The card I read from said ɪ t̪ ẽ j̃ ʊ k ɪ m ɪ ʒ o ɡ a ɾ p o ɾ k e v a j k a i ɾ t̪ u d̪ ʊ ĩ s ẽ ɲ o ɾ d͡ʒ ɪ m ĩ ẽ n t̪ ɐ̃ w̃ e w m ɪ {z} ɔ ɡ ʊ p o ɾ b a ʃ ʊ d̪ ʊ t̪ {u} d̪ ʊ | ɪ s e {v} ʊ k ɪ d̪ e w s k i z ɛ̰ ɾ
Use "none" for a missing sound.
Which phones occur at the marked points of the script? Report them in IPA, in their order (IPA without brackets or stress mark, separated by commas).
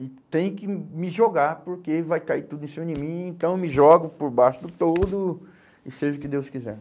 ʒ, o, ʒ